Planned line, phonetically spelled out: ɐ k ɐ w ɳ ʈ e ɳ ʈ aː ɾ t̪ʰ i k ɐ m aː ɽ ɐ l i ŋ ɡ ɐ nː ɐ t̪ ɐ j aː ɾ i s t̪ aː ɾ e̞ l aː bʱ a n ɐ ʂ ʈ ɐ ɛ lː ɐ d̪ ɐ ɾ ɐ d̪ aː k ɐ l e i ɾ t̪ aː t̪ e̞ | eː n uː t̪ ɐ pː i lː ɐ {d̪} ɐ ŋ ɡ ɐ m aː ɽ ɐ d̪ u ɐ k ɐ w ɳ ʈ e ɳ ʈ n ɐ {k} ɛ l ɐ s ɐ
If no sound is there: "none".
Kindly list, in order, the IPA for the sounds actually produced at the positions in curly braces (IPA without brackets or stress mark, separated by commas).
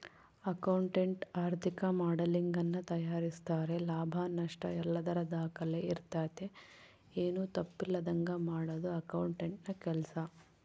d̪, k